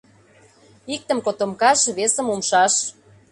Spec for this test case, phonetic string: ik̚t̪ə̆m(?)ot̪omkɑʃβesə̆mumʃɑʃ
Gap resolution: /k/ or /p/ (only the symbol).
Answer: k